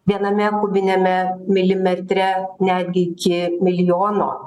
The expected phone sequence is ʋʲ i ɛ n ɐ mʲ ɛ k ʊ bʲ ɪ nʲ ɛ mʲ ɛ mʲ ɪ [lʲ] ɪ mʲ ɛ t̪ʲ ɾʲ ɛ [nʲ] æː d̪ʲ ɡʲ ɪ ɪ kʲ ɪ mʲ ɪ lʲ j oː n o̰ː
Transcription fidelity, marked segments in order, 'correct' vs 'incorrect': correct, correct

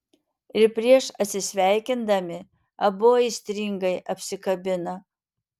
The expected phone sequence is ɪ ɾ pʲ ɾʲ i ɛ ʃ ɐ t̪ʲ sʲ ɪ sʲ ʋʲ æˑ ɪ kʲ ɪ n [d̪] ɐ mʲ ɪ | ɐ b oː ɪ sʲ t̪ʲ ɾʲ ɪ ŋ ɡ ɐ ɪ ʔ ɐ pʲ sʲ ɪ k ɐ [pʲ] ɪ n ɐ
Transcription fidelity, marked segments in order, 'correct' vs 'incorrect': correct, incorrect: bʲ

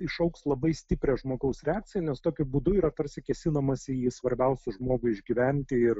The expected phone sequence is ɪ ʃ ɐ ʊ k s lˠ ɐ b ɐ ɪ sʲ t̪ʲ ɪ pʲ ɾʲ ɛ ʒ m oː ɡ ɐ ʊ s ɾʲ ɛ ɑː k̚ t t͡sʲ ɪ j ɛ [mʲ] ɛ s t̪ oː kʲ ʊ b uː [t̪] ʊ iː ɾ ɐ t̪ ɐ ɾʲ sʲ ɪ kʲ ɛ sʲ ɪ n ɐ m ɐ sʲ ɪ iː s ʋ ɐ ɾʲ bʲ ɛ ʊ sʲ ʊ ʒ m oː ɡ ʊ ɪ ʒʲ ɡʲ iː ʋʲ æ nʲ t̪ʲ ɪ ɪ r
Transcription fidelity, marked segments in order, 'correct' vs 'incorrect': incorrect: nʲ, incorrect: d̪

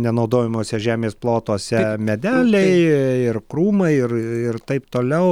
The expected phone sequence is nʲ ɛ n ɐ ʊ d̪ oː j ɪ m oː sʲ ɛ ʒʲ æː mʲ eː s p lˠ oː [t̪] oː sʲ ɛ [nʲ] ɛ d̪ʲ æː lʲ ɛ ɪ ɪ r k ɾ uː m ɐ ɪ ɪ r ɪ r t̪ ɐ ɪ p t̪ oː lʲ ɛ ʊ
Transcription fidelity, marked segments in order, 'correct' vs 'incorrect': correct, incorrect: mʲ

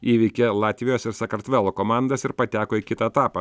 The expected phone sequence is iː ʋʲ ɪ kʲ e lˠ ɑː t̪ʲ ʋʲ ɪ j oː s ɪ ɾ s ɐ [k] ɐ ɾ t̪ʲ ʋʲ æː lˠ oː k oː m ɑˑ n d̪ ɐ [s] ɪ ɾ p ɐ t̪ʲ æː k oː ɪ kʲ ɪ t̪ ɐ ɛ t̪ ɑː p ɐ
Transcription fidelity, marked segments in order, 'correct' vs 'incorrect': correct, correct

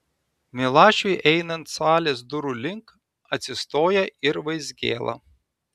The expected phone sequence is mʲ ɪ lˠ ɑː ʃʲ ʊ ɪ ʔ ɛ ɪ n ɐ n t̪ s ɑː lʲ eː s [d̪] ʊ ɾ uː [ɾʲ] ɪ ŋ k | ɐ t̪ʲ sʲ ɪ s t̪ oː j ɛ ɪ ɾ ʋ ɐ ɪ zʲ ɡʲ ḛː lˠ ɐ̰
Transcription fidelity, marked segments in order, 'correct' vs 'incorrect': correct, incorrect: lʲ

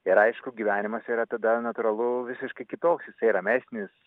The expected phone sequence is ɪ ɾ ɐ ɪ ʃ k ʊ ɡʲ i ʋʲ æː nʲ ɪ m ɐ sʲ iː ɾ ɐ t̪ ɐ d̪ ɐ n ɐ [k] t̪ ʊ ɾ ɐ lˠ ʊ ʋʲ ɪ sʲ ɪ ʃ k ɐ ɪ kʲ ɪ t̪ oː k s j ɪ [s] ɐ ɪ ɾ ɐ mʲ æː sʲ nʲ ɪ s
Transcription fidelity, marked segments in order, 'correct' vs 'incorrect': incorrect: none, correct

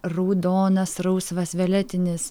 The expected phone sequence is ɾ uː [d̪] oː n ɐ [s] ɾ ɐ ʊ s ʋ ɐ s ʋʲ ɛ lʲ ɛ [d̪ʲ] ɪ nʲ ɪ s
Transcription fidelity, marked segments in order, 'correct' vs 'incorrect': correct, correct, incorrect: t̪ʲ

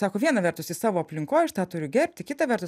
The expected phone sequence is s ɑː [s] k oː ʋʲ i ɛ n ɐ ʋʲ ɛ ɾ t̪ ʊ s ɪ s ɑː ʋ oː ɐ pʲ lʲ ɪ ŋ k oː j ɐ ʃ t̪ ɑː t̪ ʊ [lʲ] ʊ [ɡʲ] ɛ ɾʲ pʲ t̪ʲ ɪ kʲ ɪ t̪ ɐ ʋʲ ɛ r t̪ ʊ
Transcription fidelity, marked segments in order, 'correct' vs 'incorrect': incorrect: none, incorrect: ɾʲ, correct

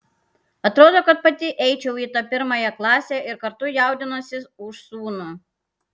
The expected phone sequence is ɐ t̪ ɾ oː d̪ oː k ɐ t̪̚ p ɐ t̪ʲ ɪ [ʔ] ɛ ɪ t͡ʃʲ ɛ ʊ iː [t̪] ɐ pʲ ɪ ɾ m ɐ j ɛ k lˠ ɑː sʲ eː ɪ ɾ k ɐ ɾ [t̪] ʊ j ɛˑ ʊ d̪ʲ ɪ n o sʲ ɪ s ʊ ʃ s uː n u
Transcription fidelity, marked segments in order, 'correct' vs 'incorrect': correct, correct, correct

